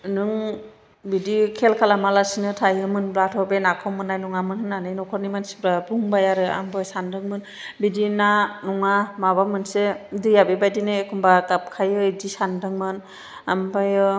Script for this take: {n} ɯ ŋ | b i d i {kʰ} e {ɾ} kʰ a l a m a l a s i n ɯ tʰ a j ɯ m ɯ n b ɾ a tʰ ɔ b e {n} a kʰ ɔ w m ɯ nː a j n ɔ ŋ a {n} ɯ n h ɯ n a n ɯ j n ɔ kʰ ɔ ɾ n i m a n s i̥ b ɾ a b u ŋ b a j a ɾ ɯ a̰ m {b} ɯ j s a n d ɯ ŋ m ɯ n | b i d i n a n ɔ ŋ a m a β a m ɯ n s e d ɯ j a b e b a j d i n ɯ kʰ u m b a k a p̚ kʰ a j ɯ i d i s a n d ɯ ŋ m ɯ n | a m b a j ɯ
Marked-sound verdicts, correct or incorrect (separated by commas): correct, correct, incorrect, correct, incorrect, correct